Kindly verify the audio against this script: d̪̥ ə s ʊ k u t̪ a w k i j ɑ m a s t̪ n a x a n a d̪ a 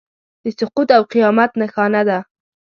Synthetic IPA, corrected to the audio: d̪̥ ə s ʊ q u t̪ a w q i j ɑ m a t̪ n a x ɑ n a d̪ a

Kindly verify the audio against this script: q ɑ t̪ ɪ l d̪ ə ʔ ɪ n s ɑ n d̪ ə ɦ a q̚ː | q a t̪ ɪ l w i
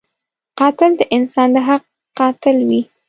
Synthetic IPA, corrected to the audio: q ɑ t̪ ɪ l d̪ ə ʔ ɪ n s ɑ n d̪ ə ɦ a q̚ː | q ɑ t̪ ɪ l w i

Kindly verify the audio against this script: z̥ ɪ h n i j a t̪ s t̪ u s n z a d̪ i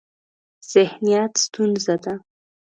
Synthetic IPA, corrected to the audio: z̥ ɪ h n i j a t̪ s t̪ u n z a d̪ a

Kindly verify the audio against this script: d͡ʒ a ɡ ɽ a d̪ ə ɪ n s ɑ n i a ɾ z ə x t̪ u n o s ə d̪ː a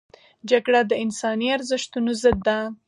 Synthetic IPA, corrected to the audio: d͡ʒ a ɡ ɽ a d̪ ə ɪ n s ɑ n i a ɾ z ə ʃ t̪ u n o z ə d̪ː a

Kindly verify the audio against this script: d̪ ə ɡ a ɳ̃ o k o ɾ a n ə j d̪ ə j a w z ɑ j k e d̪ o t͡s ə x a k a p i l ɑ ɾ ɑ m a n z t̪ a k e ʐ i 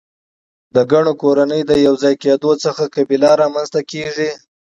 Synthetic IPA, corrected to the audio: d̪ ə ɡ a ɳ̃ o k o ɾ a n ə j d̪ ə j a w z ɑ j k e d̪ o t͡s ə x a k a b i l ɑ ɾ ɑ m a n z t̪ a k e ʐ i

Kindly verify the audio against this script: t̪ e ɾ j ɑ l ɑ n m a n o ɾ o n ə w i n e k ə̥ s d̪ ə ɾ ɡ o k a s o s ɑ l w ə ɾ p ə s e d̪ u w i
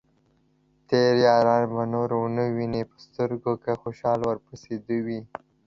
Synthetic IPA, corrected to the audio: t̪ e ɾ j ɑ ɾ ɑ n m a n o ɾ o n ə w i n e p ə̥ s t̪ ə ɾ ɡ o k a x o ʃ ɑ l w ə ɾ p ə s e d̪ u w i

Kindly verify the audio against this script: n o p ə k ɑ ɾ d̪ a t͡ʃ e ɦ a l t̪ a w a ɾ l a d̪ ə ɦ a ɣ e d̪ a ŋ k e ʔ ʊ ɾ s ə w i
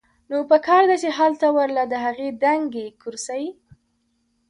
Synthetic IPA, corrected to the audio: n o p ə k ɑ ɾ d̪ a t͡ʃ e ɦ a l t̪ a w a ɾ l a d̪ ə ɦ a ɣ e d̪ a ŋ ɡ e k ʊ ɾ s a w i

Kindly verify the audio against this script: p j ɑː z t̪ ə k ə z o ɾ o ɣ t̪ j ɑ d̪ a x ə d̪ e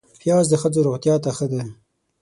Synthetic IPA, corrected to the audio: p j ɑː z d̪ ə x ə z o ɾ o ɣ t̪ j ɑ t̪ a x ə d̪ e

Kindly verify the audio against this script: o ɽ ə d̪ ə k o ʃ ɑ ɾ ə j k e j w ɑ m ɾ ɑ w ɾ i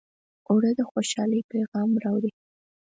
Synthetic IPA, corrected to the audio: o ɽ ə d̪ ə x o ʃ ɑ l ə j p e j ɣ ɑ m ɾ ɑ w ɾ i

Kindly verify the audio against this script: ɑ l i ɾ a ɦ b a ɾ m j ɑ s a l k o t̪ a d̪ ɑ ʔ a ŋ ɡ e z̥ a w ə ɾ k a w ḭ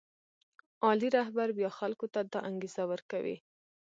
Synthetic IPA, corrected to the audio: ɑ l i ɾ a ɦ b a ɾ b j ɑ x a l k o t̪ a d̪ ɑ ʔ a ŋ ɡ e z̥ a w ə ɾ k a w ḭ

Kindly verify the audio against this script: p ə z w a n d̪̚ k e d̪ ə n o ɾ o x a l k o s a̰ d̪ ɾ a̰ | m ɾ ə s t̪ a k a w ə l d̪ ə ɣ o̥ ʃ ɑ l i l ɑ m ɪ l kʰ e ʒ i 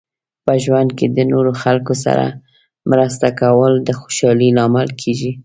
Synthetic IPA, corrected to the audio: p ə ʒ w a n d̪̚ k e d̪ ə n o ɾ o x a l k o s a̰ ɾ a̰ | m ɾ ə s t̪ a k a w ə l d̪ ə x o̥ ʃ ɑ l i l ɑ m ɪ l kʰ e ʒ i

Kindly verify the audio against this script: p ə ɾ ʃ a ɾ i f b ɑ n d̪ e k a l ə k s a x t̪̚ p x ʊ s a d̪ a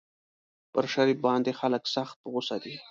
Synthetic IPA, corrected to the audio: p ə ɾ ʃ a ɾ i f b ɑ n d̪ e x a l ə k s a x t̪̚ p ɣ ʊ s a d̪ i

